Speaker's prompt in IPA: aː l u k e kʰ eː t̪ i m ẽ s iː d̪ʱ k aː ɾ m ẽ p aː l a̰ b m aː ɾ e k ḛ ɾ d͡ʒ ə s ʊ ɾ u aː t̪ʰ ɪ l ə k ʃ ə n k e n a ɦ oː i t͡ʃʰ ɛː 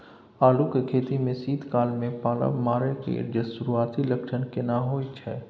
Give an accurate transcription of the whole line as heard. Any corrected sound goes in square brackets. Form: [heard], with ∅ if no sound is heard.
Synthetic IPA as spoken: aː l u k e kʰ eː t̪ i m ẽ s iː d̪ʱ k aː [l] m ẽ p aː l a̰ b m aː ɾ e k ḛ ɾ d͡ʒ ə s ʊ ɾ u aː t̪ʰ [i] l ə k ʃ ə n k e n a ɦ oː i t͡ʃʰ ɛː

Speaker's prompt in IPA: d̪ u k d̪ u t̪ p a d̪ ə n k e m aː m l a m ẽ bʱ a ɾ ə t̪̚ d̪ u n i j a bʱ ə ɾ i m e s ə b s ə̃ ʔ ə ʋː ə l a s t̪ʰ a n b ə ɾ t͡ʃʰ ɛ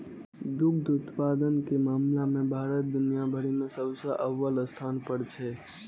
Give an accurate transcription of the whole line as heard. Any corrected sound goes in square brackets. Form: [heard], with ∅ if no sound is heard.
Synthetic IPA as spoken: d̪ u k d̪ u t̪ p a d̪ ə n k e m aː m l a m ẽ bʱ a ɾ ə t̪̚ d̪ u n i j a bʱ ə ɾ i m e s ə b s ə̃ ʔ ə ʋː ə l [ə] s t̪ʰ a n [p] ə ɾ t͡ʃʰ ɛ

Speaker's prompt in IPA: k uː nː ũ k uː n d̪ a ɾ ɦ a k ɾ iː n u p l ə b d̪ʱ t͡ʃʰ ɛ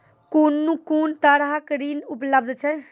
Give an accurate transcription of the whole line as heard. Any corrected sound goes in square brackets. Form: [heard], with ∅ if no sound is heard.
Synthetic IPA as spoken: k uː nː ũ k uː n [t̪] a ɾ ɦ a k ɾ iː n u p l ə b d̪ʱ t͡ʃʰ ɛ

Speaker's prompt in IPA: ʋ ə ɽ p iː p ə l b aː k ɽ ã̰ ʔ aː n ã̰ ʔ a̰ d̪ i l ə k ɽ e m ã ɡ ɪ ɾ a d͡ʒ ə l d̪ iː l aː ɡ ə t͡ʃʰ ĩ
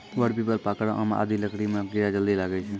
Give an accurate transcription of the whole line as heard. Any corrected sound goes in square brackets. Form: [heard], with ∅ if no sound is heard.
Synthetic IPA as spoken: ʋ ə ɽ p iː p ə l [p] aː k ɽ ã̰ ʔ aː [m] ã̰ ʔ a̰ d̪ i l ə k ɽ [i] m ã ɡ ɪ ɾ a d͡ʒ ə l d̪ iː l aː ɡ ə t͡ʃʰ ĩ

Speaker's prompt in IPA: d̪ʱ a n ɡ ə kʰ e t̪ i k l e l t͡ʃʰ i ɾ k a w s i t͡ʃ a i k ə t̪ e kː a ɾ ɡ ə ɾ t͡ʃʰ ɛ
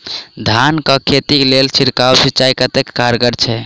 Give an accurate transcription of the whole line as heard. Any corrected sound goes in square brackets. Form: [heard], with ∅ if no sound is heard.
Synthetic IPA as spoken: d̪ʱ a n [k] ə kʰ e t̪ i k l e l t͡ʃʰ i ɾ k a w s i t͡ʃ a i k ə t̪ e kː a ɾ ɡ ə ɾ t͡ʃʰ ɛ

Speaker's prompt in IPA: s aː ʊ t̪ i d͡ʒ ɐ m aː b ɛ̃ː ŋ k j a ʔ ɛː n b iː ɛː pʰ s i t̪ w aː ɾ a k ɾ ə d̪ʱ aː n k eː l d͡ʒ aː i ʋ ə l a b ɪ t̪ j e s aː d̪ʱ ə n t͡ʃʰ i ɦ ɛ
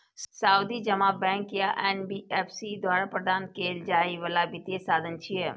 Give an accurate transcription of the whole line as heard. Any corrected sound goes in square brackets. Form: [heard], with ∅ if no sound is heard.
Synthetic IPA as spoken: s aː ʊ [d̪] i d͡ʒ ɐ m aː b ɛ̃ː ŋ k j a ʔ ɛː n b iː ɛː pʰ s i [d̪] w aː ɾ a [p] ɾ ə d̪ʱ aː n k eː l d͡ʒ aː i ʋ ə l a b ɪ t̪ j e s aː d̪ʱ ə n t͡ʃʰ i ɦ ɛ

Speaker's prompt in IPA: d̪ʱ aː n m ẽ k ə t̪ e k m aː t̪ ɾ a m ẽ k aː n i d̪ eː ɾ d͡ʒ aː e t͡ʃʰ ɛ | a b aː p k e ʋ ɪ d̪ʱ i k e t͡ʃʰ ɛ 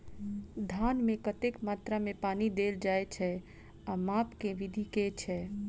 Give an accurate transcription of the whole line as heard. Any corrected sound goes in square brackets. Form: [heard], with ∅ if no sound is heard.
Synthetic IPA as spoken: d̪ʱ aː n m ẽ k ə t̪ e k m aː t̪ ɾ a m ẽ [p] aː n i d̪ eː [l] d͡ʒ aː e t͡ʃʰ ɛ | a [m] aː p k e ʋ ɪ d̪ʱ i k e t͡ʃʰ ɛ

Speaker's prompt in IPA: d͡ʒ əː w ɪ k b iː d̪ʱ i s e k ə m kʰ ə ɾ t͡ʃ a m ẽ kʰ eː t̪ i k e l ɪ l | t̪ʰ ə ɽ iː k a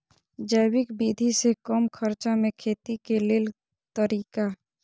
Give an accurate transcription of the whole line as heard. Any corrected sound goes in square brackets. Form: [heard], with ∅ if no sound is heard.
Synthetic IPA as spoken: d͡ʒ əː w ɪ k b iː d̪ʱ i s e k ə m kʰ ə ɾ t͡ʃ a m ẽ kʰ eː t̪ i k e l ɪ l | [t̪] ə [ɾ] iː k a

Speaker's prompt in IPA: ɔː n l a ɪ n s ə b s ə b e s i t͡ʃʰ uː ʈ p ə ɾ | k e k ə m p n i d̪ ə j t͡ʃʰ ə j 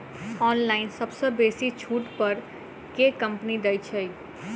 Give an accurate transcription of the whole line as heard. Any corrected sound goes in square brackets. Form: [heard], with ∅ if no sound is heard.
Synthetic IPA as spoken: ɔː n l a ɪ n s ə b s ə b e s i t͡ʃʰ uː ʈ p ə ɾ | k e k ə m p n i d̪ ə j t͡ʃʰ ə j

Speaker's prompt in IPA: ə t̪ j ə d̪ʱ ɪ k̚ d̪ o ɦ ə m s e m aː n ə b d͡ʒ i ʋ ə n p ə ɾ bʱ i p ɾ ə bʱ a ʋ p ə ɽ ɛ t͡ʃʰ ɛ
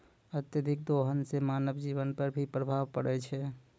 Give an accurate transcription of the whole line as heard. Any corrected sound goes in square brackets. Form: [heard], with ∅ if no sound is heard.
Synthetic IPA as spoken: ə t̪ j ə d̪ʱ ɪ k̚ d̪ o ɦ ə [n] s e m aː n ə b d͡ʒ i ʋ ə n p ə ɾ bʱ i p ɾ ə bʱ a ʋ p ə ɽ ɛ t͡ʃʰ ɛ

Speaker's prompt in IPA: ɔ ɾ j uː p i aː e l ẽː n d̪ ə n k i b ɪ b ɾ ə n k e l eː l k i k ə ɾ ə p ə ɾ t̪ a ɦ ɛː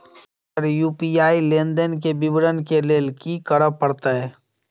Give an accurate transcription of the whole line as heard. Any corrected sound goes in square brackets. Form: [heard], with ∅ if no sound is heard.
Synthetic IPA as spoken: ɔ ɾ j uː p i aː [i] l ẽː n d̪ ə n k [e] b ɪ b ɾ ə n k e l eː l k i k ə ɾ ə p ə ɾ t̪ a ɦ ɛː

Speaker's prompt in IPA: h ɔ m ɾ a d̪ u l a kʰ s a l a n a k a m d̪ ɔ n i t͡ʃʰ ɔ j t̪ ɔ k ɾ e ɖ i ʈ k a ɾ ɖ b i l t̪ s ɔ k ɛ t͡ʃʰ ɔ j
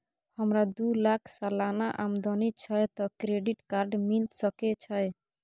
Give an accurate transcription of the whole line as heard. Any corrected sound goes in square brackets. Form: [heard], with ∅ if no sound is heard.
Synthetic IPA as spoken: h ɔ m ɾ a d̪ u l a kʰ s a l a n a [ʔ] a m d̪ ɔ n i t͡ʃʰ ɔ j t̪ ɔ k ɾ e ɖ i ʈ k a ɾ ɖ [m] i l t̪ s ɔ k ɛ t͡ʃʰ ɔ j

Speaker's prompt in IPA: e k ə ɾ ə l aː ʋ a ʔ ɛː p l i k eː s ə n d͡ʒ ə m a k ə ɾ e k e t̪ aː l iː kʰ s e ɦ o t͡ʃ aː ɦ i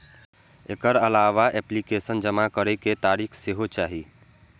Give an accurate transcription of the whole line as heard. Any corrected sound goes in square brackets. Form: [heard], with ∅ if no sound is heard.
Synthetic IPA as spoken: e k ə ɾ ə l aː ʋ a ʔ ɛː p l i k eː s ə n d͡ʒ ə m a k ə ɾ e k e t̪ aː [ɾ] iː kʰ s e ɦ o t͡ʃ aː ɦ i

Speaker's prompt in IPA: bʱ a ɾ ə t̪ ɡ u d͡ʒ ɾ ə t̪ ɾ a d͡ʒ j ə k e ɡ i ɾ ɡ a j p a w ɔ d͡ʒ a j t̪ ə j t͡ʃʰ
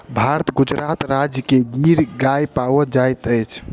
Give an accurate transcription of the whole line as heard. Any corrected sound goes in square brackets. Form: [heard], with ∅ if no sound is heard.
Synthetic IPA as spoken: bʱ a ɾ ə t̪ ɡ u d͡ʒ ɾ [a] t̪ ɾ a d͡ʒ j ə k e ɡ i ɾ ɡ a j p a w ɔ d͡ʒ a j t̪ ə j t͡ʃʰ

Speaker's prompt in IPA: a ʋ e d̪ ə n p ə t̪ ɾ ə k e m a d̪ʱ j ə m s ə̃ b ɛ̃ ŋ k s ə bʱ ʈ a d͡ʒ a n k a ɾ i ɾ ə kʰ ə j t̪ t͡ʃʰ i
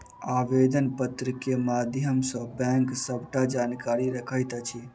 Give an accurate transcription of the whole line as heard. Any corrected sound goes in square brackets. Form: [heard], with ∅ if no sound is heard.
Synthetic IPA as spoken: a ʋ e d̪ ə n p ə t̪ ɾ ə k e m a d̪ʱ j ə m s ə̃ b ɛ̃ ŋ k s ə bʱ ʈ a d͡ʒ a n k a ɾ i ɾ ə kʰ ə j t̪ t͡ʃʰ i

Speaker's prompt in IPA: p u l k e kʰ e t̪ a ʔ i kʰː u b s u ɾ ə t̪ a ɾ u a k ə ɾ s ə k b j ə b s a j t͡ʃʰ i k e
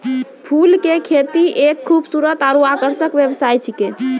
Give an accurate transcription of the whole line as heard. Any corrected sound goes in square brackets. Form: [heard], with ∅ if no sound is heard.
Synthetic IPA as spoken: [pʰ] u l k e kʰ e t̪ [i] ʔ [e] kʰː u b s u ɾ ə t̪ a ɾ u a k ə ɾ s ə k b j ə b s a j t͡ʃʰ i k e

